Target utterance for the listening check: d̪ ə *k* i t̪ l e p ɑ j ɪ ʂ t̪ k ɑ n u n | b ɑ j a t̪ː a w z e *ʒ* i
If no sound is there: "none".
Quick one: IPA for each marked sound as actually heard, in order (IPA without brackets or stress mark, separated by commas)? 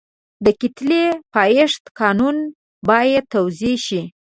k, ʃ